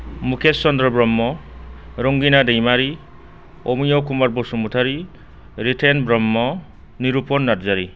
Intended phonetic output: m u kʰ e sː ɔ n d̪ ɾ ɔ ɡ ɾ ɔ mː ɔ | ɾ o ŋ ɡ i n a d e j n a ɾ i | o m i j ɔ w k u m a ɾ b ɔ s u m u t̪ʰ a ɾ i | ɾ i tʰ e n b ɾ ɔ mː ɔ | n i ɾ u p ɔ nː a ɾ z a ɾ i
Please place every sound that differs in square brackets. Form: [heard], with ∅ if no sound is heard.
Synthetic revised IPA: m u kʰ e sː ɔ n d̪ ɾ ɔ [b] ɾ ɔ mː ɔ | ɾ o ŋ ɡ i n a d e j [m] a ɾ i | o m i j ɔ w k u m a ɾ b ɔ s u m u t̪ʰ a ɾ i | ɾ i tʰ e n b ɾ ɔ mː ɔ | n i ɾ u p ɔ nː a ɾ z a ɾ i